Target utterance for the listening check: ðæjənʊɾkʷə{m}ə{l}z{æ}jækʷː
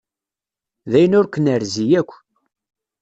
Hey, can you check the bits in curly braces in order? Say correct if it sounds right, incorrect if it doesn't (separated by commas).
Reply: incorrect, incorrect, incorrect